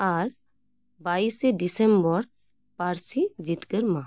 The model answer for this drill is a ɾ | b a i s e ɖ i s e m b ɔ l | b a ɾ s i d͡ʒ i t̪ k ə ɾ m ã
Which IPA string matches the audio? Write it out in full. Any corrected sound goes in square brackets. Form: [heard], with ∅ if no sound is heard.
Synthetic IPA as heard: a ɾ | b a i s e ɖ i s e m b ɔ [ɾ] | [p] a ɾ s i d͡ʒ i t̪ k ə ɾ m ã